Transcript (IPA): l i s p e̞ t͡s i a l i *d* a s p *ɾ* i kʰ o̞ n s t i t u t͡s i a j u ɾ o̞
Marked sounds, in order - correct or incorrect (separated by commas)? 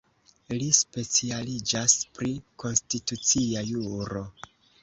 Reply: incorrect, correct